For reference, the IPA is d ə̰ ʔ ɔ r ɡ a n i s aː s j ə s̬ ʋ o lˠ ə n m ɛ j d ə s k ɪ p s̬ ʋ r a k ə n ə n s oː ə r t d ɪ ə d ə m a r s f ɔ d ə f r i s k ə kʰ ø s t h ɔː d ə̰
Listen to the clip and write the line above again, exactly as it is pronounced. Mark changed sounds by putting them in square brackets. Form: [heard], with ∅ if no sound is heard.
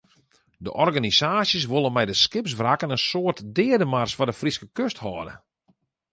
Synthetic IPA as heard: d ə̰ ʔ ɔ r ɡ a n i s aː s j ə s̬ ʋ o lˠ ə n m ɛ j d ə s k ɪ p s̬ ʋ r a k ə n ə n s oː ə r t d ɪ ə d ə m a r s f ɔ d ə f r i s k ə [k] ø s t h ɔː d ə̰